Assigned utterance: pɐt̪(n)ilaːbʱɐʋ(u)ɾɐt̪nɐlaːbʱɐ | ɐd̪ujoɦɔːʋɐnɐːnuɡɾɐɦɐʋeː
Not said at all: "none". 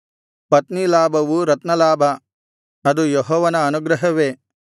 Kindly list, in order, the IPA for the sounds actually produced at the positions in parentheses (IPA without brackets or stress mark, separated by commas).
n, u